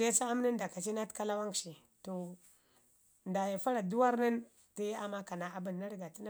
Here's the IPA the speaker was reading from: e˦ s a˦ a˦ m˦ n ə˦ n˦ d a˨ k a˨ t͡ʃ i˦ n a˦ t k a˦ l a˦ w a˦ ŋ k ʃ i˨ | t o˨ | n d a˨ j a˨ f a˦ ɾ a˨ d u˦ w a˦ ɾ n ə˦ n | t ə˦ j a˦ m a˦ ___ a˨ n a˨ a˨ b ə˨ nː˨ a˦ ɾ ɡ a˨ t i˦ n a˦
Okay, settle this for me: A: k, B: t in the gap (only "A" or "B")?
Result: A